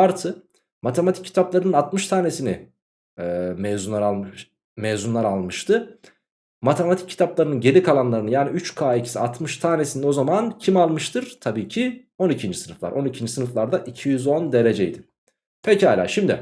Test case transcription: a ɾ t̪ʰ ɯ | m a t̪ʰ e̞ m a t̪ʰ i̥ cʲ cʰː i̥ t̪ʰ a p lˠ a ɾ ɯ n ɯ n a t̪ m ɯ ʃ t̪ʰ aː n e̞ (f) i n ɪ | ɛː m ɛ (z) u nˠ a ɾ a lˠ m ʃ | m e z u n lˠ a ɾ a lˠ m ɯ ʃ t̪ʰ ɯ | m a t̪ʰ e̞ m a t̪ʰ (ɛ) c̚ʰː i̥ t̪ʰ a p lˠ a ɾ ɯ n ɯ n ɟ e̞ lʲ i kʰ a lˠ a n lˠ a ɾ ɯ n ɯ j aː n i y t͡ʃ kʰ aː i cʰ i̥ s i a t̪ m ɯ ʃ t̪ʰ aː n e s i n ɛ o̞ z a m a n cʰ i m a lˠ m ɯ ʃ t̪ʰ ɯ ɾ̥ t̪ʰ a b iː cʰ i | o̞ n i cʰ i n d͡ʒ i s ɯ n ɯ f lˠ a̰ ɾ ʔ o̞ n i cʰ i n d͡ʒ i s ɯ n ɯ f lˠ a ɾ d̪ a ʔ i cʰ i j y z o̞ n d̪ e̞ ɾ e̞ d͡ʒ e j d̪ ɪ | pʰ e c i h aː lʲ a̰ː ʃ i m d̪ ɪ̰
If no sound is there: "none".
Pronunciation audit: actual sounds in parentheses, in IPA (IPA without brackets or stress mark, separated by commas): s, z, i